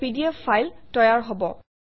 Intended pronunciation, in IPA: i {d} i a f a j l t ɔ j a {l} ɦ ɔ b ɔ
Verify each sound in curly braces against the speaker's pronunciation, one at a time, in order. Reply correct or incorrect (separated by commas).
correct, incorrect